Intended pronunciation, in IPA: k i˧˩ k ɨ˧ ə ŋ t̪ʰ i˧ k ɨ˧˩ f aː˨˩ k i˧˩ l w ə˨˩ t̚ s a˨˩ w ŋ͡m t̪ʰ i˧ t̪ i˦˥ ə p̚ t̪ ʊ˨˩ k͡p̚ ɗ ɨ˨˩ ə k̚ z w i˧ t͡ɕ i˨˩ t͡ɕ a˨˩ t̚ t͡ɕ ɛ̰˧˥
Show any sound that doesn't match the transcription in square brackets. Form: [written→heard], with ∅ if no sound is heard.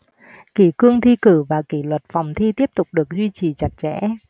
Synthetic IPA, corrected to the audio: k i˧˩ k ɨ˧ ə ŋ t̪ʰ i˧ k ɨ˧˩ [f→v] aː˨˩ k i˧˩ l w ə˨˩ t̚ [s→f] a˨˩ w ŋ͡m t̪ʰ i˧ t̪ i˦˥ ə p̚ t̪ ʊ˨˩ k͡p̚ ɗ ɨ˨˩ ə k̚ z w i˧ t͡ɕ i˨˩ t͡ɕ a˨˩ t̚ t͡ɕ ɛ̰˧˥